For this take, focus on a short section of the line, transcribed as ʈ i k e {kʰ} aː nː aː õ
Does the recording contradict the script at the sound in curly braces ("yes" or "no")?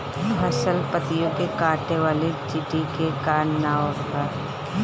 yes